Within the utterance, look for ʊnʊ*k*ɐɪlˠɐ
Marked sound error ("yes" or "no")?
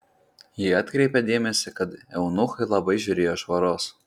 yes